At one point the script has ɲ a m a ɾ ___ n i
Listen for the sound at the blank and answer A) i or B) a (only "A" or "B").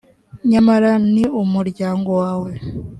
B